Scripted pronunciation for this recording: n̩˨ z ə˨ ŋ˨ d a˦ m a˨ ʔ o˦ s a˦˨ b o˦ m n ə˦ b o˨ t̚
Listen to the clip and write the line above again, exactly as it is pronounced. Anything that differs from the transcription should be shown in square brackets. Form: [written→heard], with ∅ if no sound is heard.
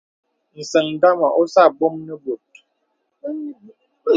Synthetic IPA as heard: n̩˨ [z→s] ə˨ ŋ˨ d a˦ m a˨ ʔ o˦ s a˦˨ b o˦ m n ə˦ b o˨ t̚